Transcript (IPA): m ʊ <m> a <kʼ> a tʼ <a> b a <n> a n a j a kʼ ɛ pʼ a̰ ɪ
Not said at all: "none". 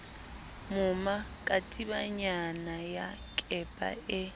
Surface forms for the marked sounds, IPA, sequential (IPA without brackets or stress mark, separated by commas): m, kʼ, i, ɲ